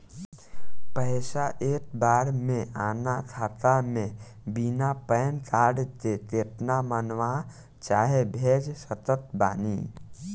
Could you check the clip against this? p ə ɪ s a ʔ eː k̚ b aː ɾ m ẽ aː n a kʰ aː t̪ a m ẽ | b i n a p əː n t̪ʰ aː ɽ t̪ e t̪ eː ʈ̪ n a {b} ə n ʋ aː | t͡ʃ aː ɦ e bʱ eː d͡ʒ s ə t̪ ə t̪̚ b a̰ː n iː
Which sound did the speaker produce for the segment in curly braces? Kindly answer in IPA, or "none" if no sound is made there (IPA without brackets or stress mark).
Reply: m